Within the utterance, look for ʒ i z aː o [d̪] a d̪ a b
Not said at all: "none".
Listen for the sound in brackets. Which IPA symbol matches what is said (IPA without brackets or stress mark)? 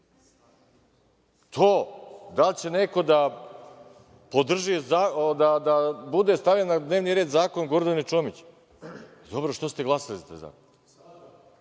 d̪